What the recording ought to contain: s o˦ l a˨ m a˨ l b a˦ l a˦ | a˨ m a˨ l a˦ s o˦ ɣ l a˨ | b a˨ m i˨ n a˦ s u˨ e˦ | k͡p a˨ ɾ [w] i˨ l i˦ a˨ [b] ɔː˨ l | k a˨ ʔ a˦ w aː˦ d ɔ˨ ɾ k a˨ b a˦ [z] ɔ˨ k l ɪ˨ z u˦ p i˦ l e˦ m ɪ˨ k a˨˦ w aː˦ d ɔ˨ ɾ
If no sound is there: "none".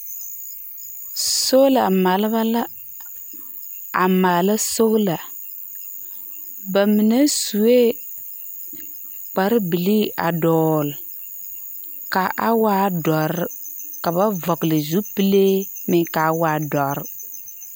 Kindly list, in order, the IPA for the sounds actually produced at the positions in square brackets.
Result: b, d, v

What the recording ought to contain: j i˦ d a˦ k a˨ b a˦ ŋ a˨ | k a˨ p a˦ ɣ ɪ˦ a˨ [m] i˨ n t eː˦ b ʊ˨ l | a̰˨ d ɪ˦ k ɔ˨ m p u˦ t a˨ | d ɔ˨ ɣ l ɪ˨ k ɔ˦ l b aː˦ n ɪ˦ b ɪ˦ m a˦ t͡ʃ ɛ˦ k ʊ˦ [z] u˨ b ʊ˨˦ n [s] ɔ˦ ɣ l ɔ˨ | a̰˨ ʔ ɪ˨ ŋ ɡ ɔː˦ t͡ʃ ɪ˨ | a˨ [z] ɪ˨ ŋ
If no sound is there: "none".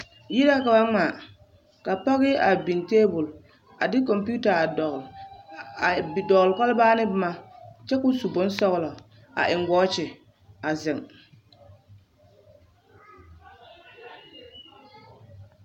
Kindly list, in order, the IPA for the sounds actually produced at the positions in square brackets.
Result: b, s, s, z

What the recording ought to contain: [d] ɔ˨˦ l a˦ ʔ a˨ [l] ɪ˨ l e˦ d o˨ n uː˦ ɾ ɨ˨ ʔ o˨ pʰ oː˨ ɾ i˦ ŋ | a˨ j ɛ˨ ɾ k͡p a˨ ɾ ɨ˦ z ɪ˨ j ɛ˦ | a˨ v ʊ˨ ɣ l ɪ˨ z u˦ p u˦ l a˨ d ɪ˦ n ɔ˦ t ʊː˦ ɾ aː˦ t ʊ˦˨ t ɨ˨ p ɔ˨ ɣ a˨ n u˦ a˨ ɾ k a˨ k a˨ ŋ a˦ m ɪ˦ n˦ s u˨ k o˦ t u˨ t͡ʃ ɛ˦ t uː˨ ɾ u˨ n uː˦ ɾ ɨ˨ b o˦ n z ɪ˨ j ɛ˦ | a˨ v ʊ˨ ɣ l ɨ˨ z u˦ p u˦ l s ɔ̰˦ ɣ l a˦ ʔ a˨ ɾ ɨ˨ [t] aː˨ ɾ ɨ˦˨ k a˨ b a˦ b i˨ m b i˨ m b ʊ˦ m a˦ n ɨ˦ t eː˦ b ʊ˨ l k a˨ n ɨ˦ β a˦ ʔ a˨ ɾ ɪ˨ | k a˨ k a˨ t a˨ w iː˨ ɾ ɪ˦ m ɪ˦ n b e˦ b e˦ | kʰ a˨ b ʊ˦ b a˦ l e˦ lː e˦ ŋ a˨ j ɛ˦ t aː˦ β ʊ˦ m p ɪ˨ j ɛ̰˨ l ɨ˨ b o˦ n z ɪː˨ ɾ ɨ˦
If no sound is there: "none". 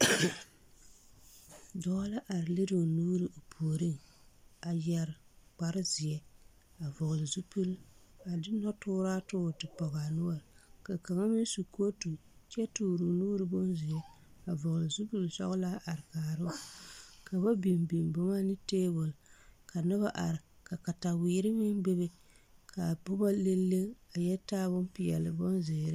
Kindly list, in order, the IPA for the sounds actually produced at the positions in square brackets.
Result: d, ɾ, k

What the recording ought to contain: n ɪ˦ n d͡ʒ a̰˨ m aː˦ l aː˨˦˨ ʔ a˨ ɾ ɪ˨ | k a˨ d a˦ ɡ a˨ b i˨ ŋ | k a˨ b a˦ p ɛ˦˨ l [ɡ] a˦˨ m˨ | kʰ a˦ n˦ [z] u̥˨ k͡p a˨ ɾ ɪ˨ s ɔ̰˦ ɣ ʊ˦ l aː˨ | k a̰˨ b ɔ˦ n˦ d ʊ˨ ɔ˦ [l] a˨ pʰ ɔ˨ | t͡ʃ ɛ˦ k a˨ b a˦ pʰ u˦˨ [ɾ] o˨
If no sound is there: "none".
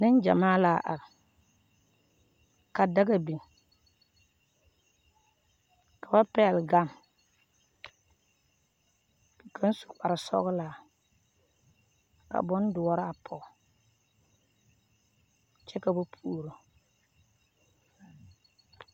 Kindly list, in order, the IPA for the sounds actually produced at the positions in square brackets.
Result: ɡ, s, ɾ, ɾ

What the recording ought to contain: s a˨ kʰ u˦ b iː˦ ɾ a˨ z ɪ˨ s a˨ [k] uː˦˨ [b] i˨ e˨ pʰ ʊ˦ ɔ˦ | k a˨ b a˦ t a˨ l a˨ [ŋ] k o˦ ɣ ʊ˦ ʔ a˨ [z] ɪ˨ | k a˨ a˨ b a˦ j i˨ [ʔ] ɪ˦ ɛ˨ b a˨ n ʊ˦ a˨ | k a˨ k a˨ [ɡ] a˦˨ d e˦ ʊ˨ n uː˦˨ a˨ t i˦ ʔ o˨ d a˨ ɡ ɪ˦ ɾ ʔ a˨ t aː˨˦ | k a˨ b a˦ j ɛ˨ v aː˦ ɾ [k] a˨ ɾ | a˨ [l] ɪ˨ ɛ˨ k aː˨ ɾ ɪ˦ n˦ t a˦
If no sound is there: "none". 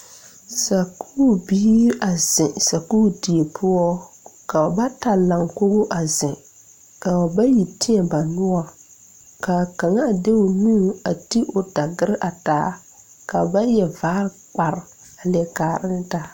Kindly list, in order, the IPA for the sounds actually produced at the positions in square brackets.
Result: k, d, ŋ, z, t, ŋ, k͡p, l

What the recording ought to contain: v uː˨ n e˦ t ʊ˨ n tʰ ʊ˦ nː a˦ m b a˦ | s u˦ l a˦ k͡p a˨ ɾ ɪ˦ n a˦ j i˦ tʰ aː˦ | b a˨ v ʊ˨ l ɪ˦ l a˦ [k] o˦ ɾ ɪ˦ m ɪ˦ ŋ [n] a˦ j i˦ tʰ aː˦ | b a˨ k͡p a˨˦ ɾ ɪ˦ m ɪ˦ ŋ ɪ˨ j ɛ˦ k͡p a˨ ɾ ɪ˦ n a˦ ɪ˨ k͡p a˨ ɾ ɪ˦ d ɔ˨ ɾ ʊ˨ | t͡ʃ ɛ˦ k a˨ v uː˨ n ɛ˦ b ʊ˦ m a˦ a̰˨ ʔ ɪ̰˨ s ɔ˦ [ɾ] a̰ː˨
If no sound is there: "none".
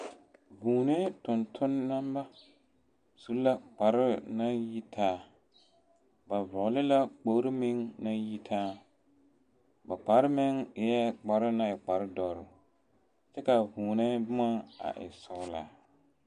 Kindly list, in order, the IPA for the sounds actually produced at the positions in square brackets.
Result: k͡p, n, l

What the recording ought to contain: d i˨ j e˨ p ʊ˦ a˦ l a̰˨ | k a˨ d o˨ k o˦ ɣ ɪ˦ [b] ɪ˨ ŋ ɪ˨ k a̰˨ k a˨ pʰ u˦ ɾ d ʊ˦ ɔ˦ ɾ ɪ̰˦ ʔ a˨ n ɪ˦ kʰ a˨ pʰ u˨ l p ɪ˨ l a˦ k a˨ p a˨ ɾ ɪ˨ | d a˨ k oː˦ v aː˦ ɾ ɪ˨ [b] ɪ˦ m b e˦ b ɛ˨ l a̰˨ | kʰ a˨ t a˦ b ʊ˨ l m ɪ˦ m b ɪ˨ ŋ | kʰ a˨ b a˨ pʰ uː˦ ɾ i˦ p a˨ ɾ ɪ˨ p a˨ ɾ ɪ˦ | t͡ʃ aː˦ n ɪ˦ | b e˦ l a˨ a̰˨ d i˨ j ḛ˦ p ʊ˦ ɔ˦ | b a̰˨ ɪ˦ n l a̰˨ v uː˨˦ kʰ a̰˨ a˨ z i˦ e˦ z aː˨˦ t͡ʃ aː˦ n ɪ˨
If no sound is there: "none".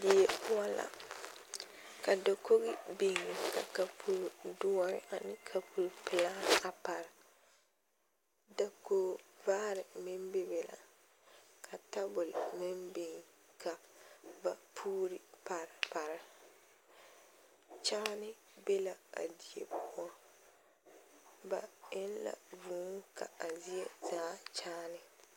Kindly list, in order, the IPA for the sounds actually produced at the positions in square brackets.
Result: b, m

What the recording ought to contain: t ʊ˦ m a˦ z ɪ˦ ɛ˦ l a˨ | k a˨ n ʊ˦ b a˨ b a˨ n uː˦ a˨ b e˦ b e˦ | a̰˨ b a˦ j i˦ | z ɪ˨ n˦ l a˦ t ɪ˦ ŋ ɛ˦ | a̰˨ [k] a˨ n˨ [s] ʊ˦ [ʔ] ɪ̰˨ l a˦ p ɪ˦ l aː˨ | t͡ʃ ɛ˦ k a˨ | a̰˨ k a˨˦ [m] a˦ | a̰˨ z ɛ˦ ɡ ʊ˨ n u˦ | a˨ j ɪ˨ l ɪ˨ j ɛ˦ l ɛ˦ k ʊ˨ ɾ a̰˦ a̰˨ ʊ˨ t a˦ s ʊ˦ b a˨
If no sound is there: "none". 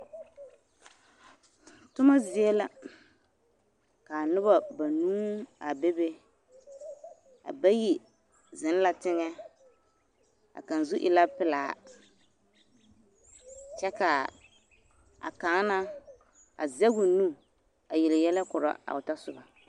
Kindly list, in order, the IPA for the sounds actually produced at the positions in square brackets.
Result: k, z, ʔ, n

